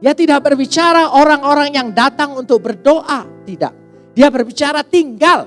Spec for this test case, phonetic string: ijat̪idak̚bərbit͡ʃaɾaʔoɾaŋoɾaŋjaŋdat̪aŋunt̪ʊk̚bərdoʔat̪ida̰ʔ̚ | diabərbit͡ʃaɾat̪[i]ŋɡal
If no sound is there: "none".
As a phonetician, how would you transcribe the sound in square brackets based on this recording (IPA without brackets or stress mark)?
i